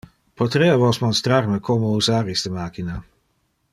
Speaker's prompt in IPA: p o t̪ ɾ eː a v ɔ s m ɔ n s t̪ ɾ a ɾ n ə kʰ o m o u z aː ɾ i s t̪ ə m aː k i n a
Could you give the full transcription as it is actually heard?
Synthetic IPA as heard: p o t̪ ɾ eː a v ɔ s m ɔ n s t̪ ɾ a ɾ m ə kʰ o m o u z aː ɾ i s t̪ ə m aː k i n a